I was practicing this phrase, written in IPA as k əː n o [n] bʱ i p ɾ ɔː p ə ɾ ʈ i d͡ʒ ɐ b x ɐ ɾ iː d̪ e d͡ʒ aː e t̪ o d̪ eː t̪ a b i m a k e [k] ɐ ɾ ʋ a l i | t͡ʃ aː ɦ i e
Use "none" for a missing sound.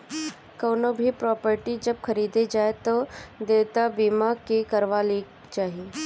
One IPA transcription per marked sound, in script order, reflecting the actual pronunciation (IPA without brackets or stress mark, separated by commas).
none, k